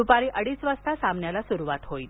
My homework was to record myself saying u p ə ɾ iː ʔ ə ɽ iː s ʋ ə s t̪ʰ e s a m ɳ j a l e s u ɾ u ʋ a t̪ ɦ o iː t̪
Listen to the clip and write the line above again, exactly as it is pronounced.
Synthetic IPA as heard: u p a ɾ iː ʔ ə ɽ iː s ʋ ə s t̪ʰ a s a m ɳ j a l a s u ɾ u ʋ a t̪ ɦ o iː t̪